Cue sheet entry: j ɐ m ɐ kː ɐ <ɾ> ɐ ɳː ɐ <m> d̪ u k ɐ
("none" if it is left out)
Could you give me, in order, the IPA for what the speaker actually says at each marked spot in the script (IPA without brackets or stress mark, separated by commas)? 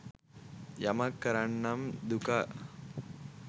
ɾ, m